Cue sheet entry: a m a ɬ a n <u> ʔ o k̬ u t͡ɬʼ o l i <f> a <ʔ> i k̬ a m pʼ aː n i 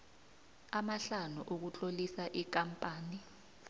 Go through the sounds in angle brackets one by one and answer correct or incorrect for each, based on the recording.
correct, incorrect: s, correct

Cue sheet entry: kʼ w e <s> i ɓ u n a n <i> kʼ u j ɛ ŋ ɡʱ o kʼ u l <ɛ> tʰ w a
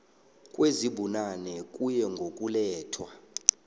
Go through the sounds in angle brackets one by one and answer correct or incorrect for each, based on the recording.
incorrect: z, incorrect: ɛ, incorrect: ɛː

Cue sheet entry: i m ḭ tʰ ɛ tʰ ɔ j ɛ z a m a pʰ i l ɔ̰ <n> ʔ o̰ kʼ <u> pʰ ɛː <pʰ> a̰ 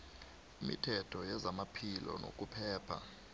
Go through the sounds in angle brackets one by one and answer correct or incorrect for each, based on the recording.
correct, correct, correct

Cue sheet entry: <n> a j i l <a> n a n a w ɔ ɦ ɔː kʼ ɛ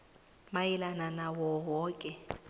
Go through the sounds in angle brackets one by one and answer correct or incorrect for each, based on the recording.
incorrect: m, correct

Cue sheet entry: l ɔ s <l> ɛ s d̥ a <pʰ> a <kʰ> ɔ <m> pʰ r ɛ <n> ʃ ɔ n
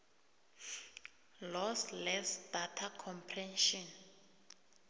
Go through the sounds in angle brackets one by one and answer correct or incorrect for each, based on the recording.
correct, incorrect: tʰ, correct, correct, correct

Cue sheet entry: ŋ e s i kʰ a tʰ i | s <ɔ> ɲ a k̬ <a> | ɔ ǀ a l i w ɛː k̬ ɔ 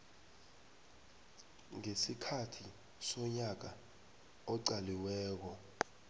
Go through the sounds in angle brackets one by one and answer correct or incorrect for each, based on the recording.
correct, correct

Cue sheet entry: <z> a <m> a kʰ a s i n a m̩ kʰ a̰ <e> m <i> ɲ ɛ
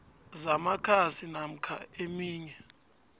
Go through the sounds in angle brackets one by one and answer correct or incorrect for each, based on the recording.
correct, correct, correct, incorrect: iː

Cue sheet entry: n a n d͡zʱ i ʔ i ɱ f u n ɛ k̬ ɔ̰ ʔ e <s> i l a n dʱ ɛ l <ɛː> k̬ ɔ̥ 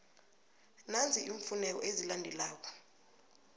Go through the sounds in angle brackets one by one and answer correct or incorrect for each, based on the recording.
incorrect: z, incorrect: aː

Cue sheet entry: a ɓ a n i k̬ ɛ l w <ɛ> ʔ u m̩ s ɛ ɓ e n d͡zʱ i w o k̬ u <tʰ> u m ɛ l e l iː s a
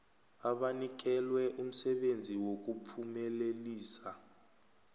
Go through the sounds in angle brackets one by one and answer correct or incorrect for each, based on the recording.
correct, incorrect: pʰ

